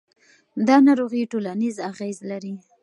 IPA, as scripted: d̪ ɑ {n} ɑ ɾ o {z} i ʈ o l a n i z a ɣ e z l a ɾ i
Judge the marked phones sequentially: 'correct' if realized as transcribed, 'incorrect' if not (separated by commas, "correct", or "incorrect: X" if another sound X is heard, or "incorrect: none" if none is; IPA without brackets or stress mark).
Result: correct, incorrect: ɣ